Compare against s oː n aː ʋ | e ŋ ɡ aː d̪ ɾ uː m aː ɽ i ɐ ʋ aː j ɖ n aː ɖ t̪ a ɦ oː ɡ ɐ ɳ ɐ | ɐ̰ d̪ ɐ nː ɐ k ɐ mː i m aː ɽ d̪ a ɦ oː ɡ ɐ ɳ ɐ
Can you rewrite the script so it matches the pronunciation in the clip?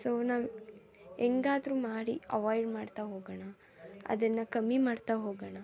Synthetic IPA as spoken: s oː n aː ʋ | e ŋ ɡ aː d̪ ɾ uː m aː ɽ i ɐ ʋ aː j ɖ m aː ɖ t̪ a ɦ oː ɡ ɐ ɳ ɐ | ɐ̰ d̪ ɐ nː ɐ k ɐ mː i m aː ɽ t̪ a ɦ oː ɡ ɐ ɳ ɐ

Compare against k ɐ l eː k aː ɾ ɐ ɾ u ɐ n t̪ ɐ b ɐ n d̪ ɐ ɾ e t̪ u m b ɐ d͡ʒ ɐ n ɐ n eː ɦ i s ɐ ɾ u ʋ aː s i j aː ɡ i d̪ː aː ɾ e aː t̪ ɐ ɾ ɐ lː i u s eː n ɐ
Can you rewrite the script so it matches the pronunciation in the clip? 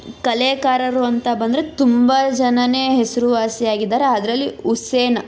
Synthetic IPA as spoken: k ɐ l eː k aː ɾ ɐ ɾ u ɐ n t̪ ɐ b ɐ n d̪ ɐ ɾ e t̪ u m b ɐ d͡ʒ ɐ n ɐ n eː ɦ e s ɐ ɾ u ʋ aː s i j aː ɡ i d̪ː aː ɾ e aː d̪ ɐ ɾ ɐ lː i u s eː n ɐ

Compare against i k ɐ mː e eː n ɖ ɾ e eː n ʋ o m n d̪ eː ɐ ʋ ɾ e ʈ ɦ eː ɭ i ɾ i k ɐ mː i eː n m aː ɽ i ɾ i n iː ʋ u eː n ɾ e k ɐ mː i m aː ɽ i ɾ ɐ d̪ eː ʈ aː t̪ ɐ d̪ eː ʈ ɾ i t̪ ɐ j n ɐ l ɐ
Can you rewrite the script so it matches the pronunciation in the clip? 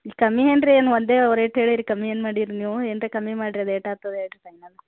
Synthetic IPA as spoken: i k ɐ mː i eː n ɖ ɾ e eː n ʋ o n d̪ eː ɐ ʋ ɾ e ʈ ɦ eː ɭ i ɾ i k ɐ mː i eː n m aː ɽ i ɾ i n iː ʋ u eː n ɾ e k ɐ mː i m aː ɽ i ɾ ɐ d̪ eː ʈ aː t̪ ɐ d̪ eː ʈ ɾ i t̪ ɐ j n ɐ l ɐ

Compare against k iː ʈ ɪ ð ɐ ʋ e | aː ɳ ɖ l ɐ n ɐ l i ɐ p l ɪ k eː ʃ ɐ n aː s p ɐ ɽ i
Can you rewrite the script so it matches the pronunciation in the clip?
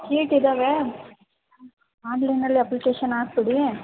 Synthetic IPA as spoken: k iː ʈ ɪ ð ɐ ʋ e | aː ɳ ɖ l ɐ n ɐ l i ɐ p l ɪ k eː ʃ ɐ n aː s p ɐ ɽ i

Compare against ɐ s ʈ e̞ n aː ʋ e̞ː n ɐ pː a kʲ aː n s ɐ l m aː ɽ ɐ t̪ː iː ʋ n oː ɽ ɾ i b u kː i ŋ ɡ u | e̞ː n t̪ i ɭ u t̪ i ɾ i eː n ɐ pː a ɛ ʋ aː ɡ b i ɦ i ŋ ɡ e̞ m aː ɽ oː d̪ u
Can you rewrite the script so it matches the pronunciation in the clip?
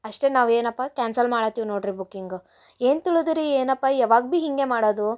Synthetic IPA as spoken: ɐ ʂ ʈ e̞ n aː ʋ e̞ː n ɐ pː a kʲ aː n s ɐ l m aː ɽ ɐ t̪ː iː ʋ n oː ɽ ɾ i b u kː i ŋ ɡ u | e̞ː n t̪ i ɭ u d̪ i ɾ i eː n ɐ pː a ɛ ʋ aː ɡ b i ɦ i ŋ ɡ e̞ m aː ɽ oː d̪ u

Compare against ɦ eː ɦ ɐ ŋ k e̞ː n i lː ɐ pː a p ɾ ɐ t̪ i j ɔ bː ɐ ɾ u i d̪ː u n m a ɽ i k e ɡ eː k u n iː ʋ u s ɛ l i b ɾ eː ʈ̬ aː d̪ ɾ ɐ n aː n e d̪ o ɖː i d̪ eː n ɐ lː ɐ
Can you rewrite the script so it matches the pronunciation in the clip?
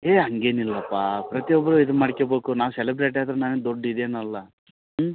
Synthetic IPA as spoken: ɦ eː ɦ ɐ ŋ ɡ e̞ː n i lː ɐ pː a p ɾ ɐ t̪ i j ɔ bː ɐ ɾ u i d̪ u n m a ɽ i k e b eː k u n aː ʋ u s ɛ l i b ɾ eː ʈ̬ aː d̪ ɾ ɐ n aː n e d̪ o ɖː i d̪ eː n ɐ lː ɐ

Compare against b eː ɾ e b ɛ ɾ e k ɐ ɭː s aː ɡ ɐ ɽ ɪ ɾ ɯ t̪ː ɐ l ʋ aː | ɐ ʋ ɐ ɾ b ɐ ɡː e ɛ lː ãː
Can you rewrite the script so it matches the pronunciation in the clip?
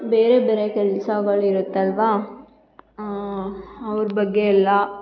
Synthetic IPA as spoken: b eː ɾ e b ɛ ɾ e k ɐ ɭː s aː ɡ ɐ ɭ ɪ ɾ ɯ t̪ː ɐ l ʋ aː | ɐ ʋ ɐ ɾ b ɐ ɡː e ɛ lː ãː

